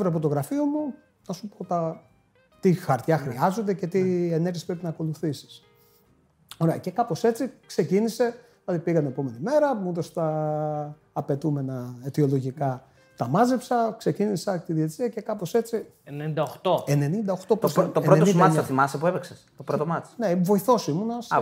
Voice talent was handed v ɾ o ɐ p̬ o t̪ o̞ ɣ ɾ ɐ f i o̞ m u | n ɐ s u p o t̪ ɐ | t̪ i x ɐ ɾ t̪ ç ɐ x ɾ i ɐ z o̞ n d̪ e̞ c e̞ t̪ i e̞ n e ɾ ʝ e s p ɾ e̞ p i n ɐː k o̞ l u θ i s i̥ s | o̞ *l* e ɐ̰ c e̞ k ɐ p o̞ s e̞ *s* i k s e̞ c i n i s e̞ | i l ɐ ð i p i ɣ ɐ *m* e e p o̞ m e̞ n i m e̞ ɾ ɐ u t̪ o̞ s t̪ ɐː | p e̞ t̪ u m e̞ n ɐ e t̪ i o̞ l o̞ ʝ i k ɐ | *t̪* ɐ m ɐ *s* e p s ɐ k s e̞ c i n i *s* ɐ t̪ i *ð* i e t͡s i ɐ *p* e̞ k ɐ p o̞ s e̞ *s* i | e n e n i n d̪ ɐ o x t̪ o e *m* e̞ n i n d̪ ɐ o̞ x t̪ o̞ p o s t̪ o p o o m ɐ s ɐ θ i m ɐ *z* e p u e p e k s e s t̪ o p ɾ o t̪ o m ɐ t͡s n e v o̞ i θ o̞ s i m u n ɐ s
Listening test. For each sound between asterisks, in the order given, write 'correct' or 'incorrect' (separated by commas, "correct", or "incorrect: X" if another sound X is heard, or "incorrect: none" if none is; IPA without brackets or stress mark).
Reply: incorrect: ɾ, incorrect: t͡s, incorrect: n, correct, incorrect: z, correct, correct, incorrect: c, incorrect: t͡s, incorrect: n, incorrect: s